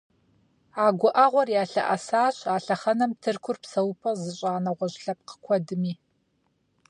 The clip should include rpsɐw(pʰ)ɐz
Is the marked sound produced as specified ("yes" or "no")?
yes